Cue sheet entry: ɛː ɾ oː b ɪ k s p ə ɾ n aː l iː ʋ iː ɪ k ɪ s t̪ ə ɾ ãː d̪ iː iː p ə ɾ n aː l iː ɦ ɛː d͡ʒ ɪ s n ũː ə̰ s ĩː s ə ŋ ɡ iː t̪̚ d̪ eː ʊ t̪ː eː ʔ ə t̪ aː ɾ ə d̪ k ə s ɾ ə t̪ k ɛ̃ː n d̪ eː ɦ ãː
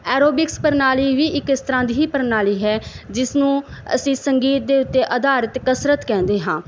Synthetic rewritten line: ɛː ɾ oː b ɪ k s p ə ɾ n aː l iː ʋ iː ɪ k ɪ s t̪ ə ɾ ãː d̪ iː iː p ə ɾ n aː l iː ɦ ɛː d͡ʒ ɪ s n ũː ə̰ s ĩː s ə ŋ ɡ iː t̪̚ d̪ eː ʊ t̪ː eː ʔ ə d̪ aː ɾ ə t̪ k ə s ɾ ə t̪ k ɛ̃ː n d̪ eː ɦ ãː